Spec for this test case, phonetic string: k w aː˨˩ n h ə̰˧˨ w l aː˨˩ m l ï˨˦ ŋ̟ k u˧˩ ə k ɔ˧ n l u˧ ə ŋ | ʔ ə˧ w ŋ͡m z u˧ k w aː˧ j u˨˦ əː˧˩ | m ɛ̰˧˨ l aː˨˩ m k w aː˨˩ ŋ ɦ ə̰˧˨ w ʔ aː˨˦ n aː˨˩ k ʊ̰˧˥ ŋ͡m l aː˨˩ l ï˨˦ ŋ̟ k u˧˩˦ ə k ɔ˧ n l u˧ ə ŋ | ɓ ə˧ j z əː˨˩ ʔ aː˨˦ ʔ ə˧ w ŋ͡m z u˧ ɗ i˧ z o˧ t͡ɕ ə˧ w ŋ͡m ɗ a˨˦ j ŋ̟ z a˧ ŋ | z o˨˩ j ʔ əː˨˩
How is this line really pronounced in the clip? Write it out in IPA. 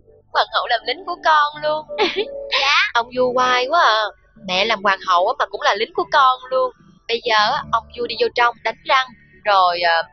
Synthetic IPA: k w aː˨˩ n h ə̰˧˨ w l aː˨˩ m l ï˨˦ ŋ̟ k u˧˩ ə k ɔ˧ n l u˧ ə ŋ | ʔ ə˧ w ŋ͡m z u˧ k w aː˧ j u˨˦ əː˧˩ | m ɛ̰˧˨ l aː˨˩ m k w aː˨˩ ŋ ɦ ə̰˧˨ w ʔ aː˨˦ m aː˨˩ k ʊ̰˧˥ ŋ͡m l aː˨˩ l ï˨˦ ŋ̟ k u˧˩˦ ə k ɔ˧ n l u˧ ə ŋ | ɓ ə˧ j z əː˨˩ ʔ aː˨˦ ʔ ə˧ w ŋ͡m z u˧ ɗ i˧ z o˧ t͡ɕ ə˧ w ŋ͡m ɗ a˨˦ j ŋ̟ z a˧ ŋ | z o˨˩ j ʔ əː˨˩